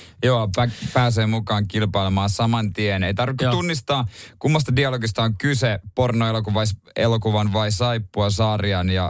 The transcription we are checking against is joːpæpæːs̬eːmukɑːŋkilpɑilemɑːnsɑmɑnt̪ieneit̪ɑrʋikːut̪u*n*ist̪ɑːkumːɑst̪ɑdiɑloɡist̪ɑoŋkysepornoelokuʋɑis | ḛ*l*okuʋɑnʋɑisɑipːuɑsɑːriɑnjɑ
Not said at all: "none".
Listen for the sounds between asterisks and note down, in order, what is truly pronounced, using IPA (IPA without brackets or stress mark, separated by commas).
nː, l